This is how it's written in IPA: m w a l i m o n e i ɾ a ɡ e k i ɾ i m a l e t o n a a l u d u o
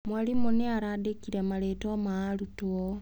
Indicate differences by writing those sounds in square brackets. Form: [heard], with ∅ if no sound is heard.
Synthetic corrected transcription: m w a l i m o n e [a] ɾ a [d] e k i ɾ [e] m a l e t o [m] a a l u [t] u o